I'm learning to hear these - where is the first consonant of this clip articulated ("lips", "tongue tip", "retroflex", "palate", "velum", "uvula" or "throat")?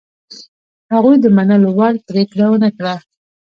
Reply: throat